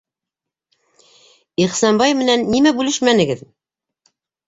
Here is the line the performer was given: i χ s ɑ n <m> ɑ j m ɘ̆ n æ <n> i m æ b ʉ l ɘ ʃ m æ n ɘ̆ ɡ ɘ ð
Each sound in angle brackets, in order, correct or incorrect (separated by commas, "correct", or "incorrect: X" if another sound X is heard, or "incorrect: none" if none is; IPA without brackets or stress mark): incorrect: b, incorrect: nː